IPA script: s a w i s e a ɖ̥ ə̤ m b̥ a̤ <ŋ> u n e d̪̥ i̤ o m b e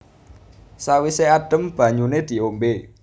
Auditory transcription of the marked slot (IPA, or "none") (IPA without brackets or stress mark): ɲ